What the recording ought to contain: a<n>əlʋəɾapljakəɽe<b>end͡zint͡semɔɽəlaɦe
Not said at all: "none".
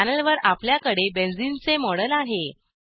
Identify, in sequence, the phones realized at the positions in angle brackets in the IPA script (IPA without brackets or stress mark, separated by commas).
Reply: n, b